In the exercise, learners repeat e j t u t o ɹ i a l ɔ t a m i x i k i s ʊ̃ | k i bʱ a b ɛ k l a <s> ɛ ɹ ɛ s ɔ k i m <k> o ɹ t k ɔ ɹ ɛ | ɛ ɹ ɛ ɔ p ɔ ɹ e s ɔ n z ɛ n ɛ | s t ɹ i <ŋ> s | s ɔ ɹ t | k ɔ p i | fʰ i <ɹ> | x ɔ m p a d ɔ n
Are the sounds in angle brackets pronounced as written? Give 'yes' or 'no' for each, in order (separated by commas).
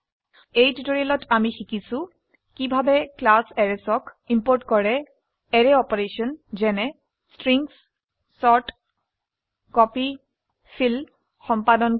yes, no, yes, no